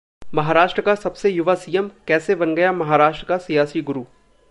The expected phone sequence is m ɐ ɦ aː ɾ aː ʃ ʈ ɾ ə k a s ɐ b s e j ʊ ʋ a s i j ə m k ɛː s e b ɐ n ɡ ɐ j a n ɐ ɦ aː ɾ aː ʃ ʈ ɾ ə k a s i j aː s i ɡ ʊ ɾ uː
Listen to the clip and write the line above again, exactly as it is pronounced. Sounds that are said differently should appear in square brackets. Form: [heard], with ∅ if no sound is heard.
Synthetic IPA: m ɐ ɦ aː ɾ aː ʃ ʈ ɾ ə k a s ɐ b s e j ʊ ʋ a s i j ə m k ɛː s e b ɐ n ɡ ɐ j a [m] ɐ ɦ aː ɾ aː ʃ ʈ ɾ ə k a s i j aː s i ɡ ʊ ɾ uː